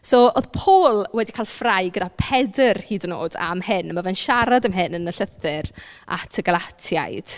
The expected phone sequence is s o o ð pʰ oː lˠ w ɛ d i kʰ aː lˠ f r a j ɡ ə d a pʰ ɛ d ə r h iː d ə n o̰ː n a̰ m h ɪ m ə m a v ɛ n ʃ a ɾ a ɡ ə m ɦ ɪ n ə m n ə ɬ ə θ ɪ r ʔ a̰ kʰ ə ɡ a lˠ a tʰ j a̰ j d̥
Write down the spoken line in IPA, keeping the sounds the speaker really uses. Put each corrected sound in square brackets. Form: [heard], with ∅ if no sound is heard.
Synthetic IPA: s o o ð pʰ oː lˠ w ɛ d i kʰ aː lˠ f r a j ɡ ə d a pʰ ɛ d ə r h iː d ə n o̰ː [d] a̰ m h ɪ [n] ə m a v ɛ n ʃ a ɾ a [d] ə m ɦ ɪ n ə [∅] n ə ɬ ə θ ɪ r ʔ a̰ [tʰ] ə ɡ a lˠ a tʰ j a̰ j d̥